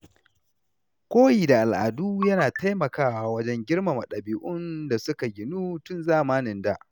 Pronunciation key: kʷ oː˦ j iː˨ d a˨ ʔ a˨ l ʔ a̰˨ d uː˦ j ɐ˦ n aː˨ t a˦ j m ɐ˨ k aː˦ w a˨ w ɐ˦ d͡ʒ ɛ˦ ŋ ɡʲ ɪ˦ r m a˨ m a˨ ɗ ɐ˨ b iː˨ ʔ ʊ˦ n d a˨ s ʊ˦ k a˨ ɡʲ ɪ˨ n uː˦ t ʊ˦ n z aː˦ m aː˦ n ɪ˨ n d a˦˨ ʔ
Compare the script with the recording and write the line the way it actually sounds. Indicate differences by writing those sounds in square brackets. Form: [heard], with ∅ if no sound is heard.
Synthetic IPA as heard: kʷ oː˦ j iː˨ d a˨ ʔ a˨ l ʔ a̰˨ d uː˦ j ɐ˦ n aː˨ t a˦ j m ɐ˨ k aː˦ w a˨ w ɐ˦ d͡ʒ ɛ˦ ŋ ɡʲ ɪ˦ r m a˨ m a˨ ɗ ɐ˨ b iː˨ ʔ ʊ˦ n d a˨ s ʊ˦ k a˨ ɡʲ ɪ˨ n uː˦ t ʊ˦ n z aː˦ m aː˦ n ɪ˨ n d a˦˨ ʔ